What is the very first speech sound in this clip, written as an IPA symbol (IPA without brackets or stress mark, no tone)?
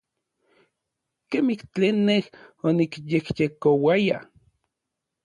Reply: k